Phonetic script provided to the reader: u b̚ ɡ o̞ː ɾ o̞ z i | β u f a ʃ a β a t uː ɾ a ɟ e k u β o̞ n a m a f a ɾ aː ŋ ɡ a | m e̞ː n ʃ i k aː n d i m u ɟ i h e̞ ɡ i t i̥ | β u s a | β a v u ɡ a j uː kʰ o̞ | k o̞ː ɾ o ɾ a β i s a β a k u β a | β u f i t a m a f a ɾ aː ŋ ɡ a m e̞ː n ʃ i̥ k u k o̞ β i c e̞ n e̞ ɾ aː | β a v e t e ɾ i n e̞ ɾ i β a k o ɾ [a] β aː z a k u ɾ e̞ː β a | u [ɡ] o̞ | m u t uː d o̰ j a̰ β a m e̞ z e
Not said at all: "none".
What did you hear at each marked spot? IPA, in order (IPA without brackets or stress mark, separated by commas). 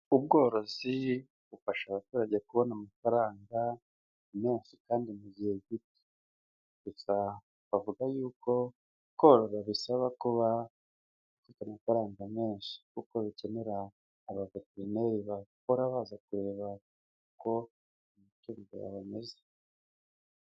a, k